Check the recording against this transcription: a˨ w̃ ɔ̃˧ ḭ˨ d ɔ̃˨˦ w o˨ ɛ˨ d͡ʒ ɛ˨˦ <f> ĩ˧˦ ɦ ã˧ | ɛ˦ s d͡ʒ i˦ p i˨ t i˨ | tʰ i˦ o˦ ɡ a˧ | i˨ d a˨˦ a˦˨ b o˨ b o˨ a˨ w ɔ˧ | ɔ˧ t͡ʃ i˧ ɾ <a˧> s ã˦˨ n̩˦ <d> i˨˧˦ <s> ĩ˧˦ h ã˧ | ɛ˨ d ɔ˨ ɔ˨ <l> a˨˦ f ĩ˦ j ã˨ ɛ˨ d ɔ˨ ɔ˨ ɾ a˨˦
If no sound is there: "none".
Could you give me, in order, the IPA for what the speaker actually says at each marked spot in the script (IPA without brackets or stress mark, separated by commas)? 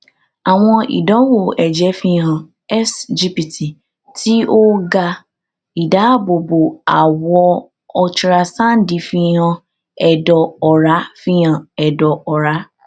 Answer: f, a˧, d, f, ɾ